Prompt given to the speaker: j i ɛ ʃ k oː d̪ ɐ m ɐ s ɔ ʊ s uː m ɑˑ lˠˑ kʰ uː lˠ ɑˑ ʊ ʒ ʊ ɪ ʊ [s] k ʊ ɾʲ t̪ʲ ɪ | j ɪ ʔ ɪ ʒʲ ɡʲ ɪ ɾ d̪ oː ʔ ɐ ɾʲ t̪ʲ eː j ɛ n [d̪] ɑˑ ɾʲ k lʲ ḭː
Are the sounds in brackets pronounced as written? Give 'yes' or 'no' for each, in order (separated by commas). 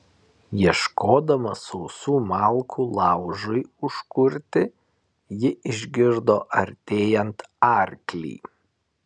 no, no